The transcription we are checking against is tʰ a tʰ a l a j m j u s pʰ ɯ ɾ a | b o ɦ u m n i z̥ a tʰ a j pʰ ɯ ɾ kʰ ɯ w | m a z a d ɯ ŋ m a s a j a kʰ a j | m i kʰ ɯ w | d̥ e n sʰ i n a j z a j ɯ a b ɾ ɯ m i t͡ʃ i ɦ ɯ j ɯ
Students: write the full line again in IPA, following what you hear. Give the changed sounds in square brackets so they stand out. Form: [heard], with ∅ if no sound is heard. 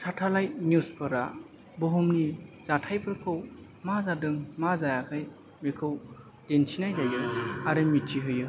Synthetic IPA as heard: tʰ a tʰ a l a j m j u s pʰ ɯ ɾ a | b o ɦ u m n i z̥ a tʰ a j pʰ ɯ ɾ kʰ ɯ w | m a z a d ɯ ŋ m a [z] a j a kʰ a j | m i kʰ ɯ w | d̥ e n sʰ i n a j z a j ɯ a [∅] ɾ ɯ m i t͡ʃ i ɦ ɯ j ɯ